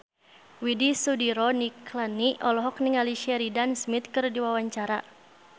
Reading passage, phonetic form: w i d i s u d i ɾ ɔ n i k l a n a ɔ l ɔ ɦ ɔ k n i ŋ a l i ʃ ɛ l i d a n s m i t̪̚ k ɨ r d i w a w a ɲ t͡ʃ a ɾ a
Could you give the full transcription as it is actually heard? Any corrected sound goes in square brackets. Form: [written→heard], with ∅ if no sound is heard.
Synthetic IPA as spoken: w i d i s u d i ɾ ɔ n i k l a n [a→i] ɔ l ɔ ɦ ɔ k n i ŋ a l i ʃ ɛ [l→ɾ] i d a n s m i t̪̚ k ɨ r d i w a w a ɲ t͡ʃ a ɾ a